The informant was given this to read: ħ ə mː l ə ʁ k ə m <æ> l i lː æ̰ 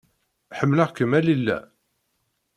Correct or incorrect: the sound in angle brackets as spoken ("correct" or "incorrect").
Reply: correct